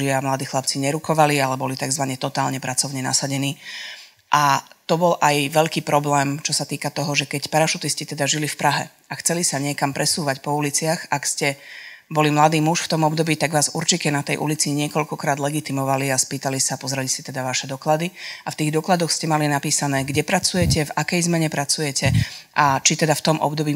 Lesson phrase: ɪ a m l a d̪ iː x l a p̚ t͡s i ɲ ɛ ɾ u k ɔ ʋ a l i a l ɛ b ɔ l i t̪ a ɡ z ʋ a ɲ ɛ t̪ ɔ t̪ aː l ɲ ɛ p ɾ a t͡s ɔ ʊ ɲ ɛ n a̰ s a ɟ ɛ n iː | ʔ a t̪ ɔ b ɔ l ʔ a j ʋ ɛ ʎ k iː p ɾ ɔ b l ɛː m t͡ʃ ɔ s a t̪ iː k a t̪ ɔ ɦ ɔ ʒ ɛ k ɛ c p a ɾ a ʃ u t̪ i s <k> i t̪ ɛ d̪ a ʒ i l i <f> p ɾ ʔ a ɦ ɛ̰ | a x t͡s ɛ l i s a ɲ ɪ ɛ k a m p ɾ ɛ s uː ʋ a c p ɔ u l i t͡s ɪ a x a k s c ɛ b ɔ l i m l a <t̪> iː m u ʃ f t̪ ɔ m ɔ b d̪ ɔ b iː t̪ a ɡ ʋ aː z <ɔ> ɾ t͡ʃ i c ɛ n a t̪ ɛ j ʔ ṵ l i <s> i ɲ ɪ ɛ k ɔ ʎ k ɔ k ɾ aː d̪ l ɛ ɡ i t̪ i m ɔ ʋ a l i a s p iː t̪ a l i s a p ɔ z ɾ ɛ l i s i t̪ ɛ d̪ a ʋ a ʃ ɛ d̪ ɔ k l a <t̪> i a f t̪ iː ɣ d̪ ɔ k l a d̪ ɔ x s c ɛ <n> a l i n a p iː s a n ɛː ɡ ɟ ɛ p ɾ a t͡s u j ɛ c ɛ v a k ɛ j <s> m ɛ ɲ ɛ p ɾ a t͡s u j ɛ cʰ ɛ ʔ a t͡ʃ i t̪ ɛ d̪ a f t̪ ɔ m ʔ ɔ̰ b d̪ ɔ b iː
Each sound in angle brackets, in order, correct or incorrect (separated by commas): incorrect, correct, incorrect, incorrect, incorrect, incorrect, incorrect, incorrect